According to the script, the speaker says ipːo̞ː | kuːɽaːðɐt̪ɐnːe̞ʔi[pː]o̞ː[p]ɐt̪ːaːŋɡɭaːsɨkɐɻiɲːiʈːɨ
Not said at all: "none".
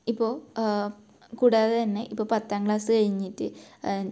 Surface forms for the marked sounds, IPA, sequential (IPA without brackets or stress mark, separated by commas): pː, p